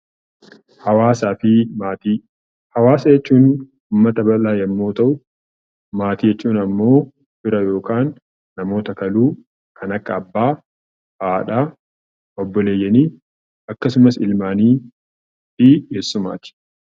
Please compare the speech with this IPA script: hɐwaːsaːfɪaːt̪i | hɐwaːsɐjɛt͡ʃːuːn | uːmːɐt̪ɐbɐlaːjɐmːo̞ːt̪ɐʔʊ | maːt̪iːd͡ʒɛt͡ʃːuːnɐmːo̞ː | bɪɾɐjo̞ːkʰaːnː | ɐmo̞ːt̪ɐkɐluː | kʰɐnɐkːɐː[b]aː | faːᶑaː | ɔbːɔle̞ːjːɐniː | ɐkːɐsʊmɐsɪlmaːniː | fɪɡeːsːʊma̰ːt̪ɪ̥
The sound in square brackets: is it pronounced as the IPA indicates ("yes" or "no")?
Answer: no